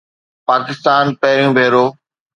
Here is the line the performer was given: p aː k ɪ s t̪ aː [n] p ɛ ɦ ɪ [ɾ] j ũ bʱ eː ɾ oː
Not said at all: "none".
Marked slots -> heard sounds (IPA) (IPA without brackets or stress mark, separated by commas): n, ɾ